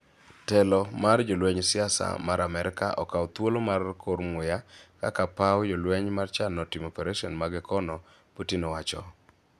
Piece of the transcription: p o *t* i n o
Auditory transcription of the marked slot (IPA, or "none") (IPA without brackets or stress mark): t